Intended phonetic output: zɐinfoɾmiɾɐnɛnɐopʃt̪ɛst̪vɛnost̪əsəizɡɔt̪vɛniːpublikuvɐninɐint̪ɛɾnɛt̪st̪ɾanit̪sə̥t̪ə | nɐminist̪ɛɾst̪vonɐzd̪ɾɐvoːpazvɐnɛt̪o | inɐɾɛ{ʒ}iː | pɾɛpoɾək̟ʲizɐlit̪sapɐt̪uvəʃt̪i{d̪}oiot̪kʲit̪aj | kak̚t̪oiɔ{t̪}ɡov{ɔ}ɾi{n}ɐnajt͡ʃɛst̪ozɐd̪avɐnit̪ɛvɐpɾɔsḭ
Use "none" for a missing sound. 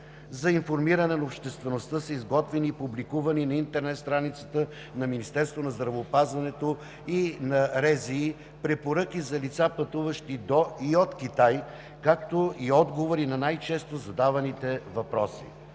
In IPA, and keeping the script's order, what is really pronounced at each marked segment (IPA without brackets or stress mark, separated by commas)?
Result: z, d̪, d̪, o, n